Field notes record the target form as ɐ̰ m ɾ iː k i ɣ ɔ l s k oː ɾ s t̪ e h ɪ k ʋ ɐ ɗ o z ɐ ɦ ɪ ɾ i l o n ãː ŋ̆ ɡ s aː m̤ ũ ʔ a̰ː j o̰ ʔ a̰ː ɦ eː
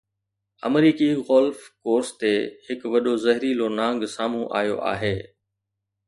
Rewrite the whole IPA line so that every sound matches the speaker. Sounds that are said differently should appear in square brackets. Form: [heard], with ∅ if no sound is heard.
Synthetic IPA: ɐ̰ m ɾ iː k i ɣ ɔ l [f] k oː ɾ s t̪ e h ɪ k ʋ ɐ ɗ o z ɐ ɦ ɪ ɾ i l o n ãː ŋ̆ ɡ s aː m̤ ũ ʔ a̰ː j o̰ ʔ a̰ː ɦ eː

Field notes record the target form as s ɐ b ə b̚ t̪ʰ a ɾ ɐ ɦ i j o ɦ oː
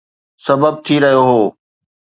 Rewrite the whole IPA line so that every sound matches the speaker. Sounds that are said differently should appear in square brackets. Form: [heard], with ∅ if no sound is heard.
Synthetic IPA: s ɐ b ə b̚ t̪ʰ [i] ɾ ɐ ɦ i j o ɦ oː

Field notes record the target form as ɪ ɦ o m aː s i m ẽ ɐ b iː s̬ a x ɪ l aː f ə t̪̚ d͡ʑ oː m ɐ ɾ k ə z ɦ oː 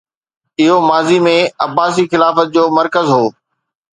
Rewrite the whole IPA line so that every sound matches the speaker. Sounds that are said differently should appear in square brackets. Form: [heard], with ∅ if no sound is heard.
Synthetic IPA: ɪ ɦ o m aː [z] i m ẽ ɐ b [aː] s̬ [i] x ɪ l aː f ə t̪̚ d͡ʑ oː m ɐ ɾ k ə z ɦ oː

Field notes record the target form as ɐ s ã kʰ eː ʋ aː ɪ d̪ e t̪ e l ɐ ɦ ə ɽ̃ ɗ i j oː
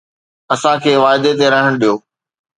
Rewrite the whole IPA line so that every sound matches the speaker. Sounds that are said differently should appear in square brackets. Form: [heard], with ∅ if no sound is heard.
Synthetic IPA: ɐ s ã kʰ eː ʋ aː ɪ d̪ e t̪ e [ɾ] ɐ ɦ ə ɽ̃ ɗ i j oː

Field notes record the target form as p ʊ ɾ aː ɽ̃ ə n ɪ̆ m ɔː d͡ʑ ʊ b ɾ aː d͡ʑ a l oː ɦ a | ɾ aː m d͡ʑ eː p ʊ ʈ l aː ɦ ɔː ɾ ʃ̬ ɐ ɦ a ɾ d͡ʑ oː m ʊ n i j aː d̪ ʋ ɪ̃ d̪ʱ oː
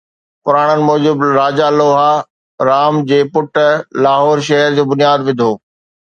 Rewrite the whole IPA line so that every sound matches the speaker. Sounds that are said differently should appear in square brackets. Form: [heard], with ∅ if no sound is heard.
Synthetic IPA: p ʊ ɾ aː ɽ̃ ə n ɪ̆ m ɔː d͡ʑ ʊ b ɾ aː d͡ʑ a l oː ɦ a | ɾ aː m d͡ʑ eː p ʊ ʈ l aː ɦ ɔː ɾ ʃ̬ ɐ ɦ [ə] ɾ d͡ʑ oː [b] ʊ n i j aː d̪ ʋ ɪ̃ d̪ʱ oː

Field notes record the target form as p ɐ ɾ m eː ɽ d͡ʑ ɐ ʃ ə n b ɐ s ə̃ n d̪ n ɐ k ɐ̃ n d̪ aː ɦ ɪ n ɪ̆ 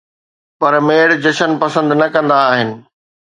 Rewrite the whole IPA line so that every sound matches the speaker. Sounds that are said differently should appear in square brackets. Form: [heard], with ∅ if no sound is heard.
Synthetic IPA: p ɐ ɾ m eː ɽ d͡ʑ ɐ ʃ ə n [p] ɐ s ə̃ n d̪ n ɐ k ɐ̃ n d̪ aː ɦ ɪ n ɪ̆

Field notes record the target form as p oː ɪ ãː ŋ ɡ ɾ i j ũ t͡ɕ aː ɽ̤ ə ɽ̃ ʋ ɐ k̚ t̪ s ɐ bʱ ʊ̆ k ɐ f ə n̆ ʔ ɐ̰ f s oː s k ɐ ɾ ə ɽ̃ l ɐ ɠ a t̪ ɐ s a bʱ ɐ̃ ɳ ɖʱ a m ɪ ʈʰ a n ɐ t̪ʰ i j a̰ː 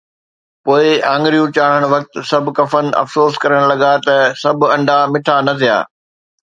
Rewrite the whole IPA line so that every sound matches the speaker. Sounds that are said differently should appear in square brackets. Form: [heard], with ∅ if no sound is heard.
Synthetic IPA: p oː ɪ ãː ŋ ɡ ɾ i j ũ t͡ɕ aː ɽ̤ ə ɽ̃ ʋ ɐ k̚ t̪ s ɐ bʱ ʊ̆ k ɐ f ə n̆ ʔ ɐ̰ f s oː s k ɐ ɾ ə ɽ̃ l ɐ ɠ a t̪ ɐ s [ɐ] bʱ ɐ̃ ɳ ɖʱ a m ɪ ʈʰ a n ɐ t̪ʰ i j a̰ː

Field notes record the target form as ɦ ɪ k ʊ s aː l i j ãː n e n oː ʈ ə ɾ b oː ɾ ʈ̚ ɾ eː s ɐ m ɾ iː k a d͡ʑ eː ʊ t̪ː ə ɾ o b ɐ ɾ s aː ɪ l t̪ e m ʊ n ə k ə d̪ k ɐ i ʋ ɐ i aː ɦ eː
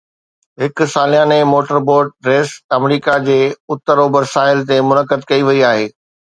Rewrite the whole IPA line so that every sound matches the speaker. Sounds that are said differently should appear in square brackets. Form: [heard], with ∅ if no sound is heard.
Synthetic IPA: ɦ ɪ k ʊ s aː l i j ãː n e [m] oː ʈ ə ɾ b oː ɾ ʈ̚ ɾ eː s ɐ m ɾ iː k a d͡ʑ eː ʊ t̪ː ə ɾ o b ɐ ɾ s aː ɪ l t̪ e m ʊ n ə k ə d̪ k ɐ i ʋ ɐ i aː ɦ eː

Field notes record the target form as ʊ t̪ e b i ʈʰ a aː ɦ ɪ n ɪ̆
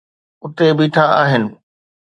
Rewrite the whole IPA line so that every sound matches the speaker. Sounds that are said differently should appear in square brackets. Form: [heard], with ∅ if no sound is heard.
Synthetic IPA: ʊ t̪ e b [iː] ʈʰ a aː ɦ ɪ n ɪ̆

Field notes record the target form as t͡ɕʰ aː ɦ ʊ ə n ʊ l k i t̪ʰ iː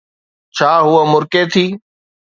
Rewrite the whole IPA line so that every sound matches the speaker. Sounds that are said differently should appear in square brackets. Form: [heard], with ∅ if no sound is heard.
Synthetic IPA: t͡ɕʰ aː ɦ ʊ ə [m] ʊ [ɾ] k [e] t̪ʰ iː

